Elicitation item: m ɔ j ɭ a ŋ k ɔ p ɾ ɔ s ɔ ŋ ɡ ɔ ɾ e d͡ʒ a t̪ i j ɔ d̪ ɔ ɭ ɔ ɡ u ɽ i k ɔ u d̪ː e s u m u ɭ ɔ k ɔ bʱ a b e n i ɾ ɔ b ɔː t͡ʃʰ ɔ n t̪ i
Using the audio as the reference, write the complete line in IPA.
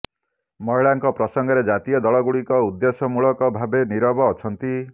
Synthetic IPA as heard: m ɔ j ɭ a ŋ k ɔ p ɾ ɔ s ɔ ŋ ɡ ɔ ɾ e d͡ʒ a t̪ i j ɔ d̪ ɔ ɭ ɔ ɡ u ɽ i k ɔ u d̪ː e s ɔ m u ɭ ɔ k ɔ bʱ a b e n i ɾ ɔ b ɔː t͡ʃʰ ɔ n t̪ i